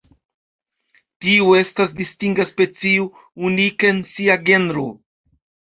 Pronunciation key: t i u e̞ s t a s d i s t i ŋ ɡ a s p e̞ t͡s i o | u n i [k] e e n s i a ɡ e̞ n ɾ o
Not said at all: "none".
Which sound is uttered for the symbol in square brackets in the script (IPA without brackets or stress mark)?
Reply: k